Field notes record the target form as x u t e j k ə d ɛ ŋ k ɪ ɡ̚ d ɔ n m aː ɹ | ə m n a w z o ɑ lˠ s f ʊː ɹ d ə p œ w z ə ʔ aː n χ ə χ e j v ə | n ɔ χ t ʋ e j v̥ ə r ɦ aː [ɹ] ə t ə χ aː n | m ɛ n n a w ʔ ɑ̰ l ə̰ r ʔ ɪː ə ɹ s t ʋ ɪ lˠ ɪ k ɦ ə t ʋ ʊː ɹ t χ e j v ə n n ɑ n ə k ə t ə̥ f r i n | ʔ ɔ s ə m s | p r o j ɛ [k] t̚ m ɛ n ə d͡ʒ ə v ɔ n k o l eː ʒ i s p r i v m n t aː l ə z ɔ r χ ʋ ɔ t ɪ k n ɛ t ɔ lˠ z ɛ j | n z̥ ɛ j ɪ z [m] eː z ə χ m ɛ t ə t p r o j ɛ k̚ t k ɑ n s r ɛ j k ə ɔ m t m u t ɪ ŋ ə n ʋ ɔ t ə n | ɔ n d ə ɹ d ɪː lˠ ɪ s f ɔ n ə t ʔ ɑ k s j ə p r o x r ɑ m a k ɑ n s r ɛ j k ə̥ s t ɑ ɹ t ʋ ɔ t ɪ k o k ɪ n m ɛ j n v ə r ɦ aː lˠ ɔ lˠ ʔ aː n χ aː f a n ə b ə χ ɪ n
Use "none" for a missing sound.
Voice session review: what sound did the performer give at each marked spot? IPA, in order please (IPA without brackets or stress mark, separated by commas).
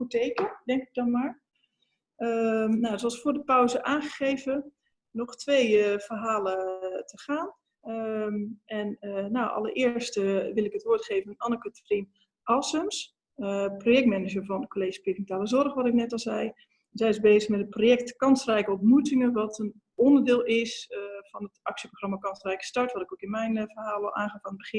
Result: l, k, b